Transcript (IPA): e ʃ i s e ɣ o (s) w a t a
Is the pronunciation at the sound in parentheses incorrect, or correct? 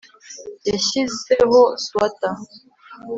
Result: correct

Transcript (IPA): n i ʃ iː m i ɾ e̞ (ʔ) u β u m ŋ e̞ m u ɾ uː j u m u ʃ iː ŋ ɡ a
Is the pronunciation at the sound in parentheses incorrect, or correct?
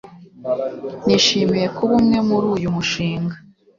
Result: incorrect: k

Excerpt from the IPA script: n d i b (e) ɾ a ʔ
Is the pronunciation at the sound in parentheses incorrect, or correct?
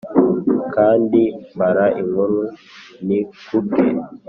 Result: incorrect: a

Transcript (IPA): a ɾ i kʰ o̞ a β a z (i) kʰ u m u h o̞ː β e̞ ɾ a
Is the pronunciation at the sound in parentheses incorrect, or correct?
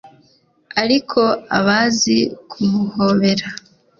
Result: correct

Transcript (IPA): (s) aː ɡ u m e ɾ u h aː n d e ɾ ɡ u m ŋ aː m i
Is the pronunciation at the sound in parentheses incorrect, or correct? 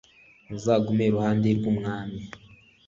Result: incorrect: z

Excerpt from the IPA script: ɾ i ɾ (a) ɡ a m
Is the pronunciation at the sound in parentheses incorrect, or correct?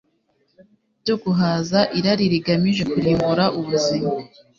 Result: incorrect: i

